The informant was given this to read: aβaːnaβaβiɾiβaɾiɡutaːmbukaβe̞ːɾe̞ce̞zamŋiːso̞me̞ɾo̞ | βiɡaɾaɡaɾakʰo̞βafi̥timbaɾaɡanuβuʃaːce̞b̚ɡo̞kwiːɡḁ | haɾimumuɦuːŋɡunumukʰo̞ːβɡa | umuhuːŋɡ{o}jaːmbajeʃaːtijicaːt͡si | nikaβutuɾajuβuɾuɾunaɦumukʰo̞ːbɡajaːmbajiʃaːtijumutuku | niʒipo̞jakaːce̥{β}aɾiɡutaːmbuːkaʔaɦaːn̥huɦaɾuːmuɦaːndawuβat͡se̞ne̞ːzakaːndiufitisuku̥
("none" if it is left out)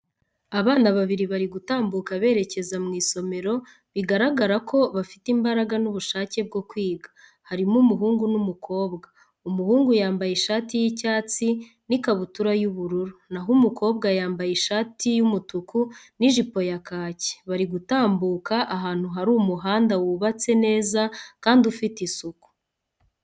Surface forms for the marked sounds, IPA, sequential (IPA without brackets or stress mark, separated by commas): u, β